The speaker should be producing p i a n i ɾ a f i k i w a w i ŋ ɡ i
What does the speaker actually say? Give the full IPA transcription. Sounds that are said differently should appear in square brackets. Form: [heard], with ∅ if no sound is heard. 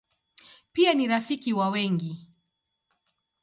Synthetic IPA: p i a n i ɾ a f i k i w a w [ɛ] ŋ ɡ i